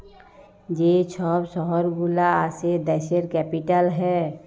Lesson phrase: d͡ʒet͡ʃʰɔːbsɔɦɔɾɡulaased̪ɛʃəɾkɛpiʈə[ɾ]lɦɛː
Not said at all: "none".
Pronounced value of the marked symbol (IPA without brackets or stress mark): none